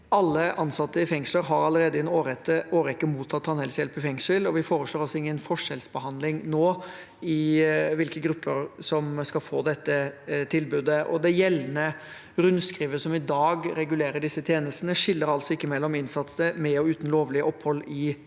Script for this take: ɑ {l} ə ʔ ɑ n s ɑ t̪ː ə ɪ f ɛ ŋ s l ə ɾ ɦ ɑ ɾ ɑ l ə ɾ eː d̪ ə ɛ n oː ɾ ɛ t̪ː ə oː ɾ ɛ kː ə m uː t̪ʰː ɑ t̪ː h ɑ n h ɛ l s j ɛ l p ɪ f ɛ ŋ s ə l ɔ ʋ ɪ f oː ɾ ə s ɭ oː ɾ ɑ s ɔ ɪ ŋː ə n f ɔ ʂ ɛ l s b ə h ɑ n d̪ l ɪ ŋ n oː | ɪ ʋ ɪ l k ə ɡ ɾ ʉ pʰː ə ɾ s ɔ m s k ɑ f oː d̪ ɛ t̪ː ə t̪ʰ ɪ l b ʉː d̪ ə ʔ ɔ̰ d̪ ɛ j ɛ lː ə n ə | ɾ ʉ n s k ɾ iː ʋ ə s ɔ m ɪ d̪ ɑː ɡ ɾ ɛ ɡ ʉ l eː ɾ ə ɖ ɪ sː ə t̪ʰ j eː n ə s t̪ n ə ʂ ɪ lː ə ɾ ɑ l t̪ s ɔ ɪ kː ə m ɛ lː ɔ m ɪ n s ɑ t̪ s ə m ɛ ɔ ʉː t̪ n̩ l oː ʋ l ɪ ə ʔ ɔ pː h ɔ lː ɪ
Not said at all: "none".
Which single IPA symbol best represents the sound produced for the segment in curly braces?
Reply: lː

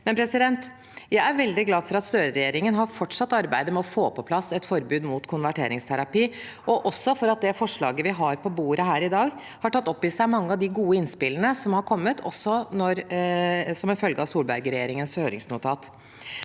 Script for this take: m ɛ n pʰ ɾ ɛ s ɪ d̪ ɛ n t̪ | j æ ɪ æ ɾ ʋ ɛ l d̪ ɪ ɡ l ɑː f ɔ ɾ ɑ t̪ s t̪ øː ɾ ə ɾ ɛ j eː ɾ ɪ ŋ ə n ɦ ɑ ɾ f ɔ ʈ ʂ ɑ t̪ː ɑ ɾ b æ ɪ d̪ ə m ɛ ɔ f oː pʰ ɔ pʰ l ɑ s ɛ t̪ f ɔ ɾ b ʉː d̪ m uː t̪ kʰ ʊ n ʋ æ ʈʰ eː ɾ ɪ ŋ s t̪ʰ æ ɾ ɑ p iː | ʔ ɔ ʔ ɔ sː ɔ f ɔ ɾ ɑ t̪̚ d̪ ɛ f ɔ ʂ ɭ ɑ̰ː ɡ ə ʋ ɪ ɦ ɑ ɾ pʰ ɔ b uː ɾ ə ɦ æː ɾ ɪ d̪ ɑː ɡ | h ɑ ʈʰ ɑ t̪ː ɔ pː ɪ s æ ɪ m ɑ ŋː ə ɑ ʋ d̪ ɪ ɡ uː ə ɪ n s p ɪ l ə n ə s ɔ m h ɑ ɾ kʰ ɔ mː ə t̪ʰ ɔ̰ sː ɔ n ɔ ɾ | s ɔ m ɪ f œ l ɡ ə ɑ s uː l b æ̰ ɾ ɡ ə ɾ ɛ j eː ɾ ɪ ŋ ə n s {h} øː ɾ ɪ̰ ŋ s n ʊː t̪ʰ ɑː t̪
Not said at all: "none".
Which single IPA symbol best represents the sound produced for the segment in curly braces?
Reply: h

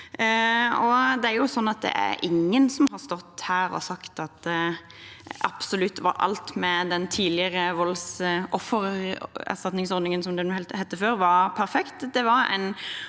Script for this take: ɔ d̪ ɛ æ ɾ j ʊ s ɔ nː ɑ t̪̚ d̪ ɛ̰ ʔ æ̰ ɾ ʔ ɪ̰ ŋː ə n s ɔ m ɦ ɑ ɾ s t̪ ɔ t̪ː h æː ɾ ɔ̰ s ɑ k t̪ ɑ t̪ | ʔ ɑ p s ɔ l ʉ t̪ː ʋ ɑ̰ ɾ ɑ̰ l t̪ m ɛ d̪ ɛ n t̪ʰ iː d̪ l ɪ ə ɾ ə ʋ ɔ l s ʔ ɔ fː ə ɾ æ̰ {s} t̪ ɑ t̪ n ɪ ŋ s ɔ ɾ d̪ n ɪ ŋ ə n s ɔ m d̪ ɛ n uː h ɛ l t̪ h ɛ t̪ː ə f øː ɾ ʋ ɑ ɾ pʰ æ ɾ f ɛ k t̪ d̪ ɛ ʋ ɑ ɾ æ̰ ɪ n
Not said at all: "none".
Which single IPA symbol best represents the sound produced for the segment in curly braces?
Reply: s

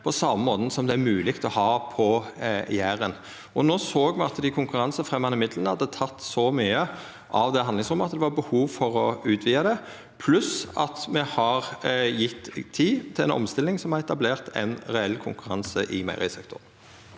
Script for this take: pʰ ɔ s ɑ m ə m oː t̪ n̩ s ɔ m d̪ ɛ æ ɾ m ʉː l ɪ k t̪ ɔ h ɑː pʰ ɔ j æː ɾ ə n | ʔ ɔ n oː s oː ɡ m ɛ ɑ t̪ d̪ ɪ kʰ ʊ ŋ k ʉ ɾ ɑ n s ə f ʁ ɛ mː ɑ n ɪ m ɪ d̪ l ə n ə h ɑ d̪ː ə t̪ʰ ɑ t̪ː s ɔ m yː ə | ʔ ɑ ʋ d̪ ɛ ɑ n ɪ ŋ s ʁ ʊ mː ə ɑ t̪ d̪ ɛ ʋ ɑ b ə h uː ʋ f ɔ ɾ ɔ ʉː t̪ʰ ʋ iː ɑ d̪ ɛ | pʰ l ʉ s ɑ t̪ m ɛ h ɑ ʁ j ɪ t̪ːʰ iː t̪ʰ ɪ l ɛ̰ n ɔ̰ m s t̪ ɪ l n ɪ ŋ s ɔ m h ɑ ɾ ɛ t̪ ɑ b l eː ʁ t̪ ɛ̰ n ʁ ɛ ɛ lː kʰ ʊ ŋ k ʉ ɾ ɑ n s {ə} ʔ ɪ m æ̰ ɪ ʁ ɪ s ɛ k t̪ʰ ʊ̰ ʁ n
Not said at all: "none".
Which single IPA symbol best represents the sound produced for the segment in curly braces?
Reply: ə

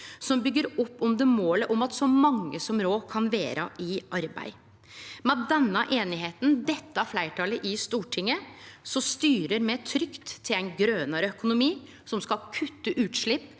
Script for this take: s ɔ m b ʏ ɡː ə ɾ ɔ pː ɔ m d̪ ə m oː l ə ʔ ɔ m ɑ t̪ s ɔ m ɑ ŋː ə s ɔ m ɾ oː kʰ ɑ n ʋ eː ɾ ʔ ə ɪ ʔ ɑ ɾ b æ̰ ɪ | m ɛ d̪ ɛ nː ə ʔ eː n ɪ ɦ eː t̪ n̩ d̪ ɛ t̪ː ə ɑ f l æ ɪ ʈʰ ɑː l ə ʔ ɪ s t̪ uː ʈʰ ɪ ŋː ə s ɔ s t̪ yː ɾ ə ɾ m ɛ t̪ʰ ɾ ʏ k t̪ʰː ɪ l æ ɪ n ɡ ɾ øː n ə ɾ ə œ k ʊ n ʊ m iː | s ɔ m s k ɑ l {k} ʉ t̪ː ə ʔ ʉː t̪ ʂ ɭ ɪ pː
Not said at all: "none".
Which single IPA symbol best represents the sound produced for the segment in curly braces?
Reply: kʰ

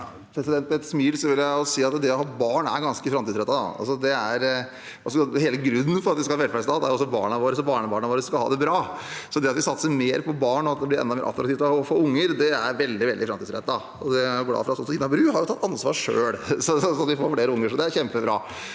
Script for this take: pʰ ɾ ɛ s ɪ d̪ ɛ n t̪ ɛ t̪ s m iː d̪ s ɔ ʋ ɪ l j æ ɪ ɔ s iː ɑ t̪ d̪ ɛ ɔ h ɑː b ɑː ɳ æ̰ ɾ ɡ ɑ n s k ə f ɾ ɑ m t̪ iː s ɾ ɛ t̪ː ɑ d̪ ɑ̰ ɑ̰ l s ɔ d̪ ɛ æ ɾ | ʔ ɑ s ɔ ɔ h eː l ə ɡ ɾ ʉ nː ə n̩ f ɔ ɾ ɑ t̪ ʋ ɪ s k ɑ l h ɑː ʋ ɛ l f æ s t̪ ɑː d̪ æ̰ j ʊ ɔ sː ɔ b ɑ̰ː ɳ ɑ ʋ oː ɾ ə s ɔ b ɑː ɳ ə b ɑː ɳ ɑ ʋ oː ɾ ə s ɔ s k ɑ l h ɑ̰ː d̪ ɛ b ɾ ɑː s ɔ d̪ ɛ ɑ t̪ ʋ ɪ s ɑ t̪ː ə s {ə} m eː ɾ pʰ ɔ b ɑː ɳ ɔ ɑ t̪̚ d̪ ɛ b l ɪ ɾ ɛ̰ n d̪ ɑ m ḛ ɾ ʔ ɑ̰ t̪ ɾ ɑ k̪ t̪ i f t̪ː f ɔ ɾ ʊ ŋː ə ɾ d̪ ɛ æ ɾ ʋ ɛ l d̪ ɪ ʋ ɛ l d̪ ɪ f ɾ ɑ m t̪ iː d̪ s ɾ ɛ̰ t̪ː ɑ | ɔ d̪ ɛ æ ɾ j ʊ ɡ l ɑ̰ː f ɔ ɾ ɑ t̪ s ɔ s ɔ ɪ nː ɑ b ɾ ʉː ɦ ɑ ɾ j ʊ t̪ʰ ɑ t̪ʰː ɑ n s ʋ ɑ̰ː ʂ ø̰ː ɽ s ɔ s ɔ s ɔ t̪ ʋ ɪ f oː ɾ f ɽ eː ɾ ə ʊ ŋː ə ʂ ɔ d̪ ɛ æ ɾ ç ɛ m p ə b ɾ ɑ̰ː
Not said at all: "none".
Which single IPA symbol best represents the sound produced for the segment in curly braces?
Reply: ə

